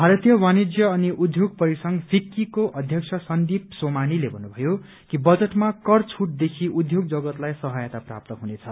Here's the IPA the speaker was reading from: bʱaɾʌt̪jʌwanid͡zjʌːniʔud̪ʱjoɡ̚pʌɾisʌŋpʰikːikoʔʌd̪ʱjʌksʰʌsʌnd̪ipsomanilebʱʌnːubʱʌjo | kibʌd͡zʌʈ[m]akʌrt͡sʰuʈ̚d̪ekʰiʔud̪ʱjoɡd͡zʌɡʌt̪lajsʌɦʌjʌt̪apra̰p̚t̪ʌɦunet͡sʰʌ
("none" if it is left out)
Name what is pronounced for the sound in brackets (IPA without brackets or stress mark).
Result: m